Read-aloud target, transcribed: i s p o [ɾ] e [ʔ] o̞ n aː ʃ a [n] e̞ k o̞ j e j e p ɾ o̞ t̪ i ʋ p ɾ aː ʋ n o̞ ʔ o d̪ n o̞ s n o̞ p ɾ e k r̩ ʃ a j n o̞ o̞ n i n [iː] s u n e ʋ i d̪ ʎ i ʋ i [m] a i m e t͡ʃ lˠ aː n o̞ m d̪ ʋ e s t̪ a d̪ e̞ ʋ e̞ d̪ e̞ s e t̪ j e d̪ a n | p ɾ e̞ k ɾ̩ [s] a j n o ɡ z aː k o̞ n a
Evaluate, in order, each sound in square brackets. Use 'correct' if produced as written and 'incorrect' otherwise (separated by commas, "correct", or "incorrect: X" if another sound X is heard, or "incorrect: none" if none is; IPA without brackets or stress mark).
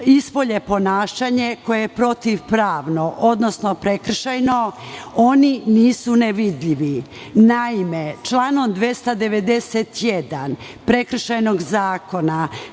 incorrect: ʎ, incorrect: p, incorrect: ɲ, correct, incorrect: n, incorrect: ʃ